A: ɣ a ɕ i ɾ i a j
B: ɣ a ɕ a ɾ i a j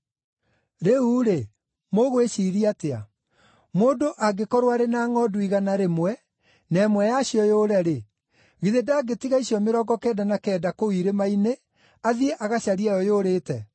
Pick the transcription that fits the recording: B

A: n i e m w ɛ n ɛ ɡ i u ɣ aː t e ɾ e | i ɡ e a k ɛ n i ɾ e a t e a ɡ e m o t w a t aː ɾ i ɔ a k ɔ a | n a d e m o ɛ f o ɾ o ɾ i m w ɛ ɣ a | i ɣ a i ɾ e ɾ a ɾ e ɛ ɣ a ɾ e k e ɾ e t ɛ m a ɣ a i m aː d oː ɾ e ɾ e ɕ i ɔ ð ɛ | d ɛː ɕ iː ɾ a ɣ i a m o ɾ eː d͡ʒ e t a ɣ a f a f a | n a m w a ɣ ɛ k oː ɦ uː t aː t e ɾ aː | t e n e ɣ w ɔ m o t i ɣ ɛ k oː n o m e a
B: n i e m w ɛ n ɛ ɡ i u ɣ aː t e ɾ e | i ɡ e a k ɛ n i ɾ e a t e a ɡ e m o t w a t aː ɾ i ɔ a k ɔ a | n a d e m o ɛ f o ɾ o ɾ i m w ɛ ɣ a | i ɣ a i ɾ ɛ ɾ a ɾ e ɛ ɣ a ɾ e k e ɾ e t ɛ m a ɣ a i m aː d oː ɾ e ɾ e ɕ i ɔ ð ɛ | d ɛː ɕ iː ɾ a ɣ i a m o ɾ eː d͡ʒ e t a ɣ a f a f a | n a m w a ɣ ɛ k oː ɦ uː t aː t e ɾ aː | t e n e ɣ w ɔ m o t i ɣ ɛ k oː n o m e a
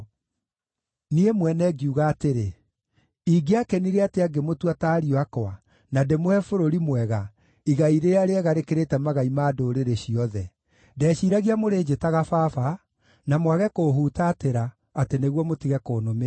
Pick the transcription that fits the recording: A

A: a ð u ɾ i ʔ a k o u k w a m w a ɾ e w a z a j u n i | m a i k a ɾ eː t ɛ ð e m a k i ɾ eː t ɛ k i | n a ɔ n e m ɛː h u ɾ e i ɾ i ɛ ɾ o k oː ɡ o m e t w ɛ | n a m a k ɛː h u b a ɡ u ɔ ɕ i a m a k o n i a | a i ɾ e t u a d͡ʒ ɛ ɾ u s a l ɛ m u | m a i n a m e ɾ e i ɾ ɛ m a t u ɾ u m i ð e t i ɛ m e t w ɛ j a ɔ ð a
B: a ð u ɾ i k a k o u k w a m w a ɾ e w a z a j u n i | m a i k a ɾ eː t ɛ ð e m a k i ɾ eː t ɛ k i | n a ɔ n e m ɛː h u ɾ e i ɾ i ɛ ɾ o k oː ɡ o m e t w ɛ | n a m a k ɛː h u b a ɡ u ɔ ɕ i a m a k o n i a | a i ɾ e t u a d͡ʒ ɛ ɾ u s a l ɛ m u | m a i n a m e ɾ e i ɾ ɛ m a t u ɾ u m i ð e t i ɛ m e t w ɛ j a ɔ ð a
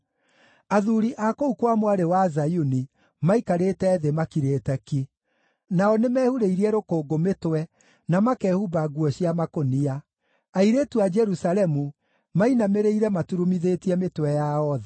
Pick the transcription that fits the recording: A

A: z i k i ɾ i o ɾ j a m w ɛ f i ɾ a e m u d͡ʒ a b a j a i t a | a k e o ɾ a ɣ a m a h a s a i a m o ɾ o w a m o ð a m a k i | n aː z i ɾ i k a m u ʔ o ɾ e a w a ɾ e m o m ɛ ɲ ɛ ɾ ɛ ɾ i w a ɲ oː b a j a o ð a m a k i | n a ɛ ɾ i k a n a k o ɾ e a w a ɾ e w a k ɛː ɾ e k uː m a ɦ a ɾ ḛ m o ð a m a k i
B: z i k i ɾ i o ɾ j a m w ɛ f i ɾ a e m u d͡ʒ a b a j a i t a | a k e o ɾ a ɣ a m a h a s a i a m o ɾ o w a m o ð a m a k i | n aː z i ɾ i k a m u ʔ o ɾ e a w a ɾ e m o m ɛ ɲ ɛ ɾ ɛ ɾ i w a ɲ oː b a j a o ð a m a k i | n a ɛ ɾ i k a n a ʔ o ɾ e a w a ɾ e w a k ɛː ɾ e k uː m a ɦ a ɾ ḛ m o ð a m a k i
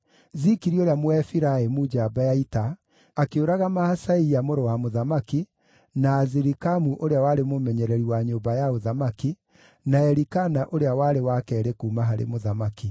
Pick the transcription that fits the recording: B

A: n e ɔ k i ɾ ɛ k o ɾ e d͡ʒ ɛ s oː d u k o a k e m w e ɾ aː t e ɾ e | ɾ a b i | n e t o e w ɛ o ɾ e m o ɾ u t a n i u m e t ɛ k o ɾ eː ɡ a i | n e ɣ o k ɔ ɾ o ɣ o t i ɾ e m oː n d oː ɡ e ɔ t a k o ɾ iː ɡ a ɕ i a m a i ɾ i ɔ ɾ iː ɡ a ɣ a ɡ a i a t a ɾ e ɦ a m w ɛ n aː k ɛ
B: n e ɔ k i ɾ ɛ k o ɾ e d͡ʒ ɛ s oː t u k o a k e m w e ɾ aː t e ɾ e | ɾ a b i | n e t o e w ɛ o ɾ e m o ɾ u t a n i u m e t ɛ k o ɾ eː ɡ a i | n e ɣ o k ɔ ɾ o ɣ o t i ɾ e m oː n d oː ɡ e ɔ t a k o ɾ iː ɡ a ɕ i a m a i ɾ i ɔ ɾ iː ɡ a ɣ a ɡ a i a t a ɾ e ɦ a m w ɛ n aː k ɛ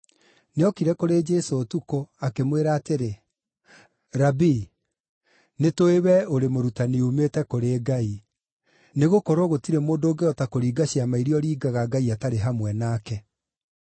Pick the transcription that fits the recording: B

